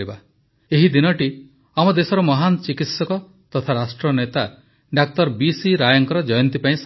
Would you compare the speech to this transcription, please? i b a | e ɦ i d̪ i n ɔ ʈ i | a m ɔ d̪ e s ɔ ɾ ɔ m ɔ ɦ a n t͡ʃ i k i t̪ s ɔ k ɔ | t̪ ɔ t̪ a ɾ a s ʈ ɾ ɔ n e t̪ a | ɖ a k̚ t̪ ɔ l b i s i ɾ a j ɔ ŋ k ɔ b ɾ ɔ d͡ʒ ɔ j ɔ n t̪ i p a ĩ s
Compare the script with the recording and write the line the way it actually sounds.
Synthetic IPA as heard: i b a | e ɦ i d̪ i n ɔ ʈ i | a m ɔ d̪ e s ɔ ɾ ɔ m ɔ ɦ a n t͡ʃ i k i t̪ s ɔ k ɔ | t̪ ɔ t̪ʰ a ɾ a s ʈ ɾ ɔ n e t̪ a | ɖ a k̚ t̪ ɔ ɾ b i s i ɾ a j ɔ ŋ k ɔ ɾ ɔ d͡ʒ ɔ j ɔ n t̪ i p a ĩ s